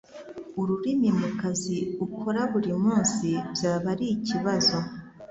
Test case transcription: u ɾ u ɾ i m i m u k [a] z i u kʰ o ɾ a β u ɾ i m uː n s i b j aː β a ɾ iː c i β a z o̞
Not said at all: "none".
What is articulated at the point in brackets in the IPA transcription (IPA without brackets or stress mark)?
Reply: a